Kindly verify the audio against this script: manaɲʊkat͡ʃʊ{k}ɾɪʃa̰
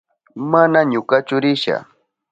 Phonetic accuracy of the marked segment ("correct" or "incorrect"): incorrect